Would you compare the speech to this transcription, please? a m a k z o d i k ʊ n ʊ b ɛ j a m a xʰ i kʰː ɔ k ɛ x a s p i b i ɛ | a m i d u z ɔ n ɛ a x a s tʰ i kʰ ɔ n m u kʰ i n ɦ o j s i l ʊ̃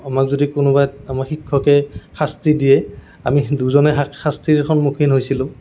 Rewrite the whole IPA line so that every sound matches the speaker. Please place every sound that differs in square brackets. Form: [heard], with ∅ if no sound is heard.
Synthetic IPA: a m a k z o d i k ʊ n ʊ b [a] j a m a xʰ i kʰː ɔ k ɛ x a s [t] i [d] i ɛ | a m i d u z ɔ n ɛ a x a s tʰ i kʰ ɔ n m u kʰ i n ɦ o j s i l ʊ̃